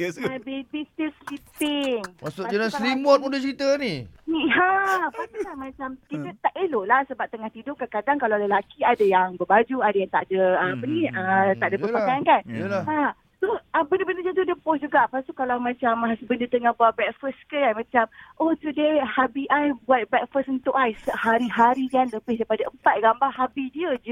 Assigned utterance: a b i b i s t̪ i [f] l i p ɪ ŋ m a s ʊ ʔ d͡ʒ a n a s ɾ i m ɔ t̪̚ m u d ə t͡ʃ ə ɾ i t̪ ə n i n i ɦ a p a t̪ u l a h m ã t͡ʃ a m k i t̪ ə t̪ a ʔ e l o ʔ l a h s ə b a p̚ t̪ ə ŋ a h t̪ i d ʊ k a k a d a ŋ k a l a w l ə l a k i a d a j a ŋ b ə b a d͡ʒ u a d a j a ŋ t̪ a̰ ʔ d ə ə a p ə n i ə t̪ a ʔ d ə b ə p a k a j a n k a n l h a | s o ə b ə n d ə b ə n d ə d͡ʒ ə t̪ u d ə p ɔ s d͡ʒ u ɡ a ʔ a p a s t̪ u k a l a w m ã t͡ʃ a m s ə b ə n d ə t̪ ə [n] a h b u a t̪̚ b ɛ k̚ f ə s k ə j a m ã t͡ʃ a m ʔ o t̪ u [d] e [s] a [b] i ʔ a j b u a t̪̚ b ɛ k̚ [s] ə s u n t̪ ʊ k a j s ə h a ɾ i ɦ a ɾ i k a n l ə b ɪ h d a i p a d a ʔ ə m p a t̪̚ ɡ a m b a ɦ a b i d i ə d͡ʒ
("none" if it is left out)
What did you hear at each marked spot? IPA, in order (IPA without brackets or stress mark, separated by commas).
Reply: s, ŋ, d, h, b, f